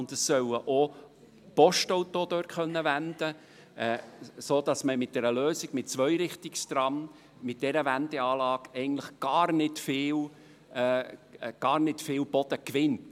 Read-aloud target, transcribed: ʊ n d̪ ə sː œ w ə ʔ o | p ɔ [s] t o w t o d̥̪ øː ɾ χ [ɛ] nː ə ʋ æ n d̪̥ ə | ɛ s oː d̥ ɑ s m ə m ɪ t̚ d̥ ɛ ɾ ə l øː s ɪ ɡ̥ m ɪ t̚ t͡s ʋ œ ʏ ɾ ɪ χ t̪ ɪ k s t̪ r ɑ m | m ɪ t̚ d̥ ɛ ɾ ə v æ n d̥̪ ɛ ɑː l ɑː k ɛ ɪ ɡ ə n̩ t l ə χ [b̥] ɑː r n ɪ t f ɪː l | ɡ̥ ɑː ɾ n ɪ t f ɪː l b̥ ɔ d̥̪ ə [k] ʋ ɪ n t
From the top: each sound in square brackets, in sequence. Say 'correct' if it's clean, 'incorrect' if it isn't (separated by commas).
incorrect, incorrect, incorrect, correct